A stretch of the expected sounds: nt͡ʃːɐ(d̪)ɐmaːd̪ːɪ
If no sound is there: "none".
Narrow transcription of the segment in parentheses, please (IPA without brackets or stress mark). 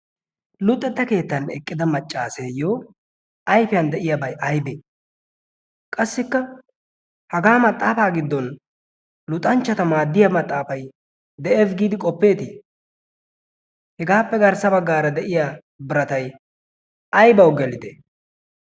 t̪